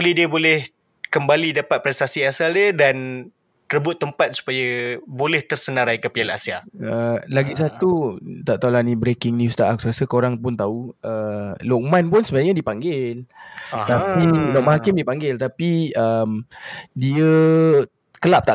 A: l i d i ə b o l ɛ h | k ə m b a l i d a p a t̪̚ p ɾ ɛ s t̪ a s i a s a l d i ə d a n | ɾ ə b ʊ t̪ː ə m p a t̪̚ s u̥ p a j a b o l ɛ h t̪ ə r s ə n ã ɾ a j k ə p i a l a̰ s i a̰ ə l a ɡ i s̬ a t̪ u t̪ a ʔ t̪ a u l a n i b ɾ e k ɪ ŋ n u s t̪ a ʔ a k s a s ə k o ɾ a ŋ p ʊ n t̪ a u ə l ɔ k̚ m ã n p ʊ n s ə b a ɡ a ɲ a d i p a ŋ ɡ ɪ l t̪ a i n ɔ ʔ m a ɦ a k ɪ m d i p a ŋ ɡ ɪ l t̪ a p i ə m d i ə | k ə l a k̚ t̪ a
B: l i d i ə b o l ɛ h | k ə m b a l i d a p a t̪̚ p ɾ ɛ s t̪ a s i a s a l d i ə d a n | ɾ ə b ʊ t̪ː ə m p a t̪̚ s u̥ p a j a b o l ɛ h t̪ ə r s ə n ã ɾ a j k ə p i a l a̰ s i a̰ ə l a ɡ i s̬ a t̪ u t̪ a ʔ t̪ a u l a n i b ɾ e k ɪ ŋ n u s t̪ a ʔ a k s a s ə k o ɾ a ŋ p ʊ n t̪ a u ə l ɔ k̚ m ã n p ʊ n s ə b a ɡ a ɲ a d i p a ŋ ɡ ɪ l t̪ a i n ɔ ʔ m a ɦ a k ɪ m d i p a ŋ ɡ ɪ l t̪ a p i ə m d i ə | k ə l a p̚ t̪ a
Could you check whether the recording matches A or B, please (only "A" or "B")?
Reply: B